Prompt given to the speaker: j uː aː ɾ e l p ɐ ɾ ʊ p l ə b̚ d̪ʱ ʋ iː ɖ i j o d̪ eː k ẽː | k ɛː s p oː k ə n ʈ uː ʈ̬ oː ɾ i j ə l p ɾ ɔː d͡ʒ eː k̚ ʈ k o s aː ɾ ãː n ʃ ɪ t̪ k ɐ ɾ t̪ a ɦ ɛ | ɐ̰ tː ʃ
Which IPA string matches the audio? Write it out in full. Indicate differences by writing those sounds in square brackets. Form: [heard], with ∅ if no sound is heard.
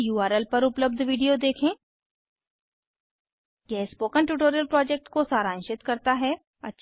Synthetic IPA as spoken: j uː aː ɾ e l p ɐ ɾ ʊ p l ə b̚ d̪ʱ ʋ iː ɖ i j o d̪ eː [kʰ] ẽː | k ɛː s p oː k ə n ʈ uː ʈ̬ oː ɾ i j ə l p ɾ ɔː d͡ʒ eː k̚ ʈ k o s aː ɾ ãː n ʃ ɪ t̪ k ɐ ɾ t̪ a ɦ ɛ | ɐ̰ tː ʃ